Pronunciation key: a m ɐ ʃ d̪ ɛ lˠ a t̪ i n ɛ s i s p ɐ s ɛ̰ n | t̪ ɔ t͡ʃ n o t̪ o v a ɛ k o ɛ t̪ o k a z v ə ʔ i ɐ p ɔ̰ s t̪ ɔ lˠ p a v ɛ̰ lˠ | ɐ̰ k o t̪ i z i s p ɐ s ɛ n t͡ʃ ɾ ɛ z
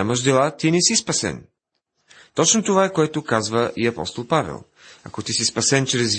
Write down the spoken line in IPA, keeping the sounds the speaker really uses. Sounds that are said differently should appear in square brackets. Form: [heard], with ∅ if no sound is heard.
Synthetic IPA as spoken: a m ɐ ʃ d̪ ɛ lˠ a t̪ i n ɛ s i s p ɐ s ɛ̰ n | t̪ ɔ t͡ʃ n o t̪ o v a ɛ k o ɛ t̪ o k a z v ə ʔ i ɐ p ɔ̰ s t̪ [o] lˠ p a v ɛ̰ lˠ | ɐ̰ k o t̪ i [s] i s p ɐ s ɛ n t͡ʃ ɾ ɛ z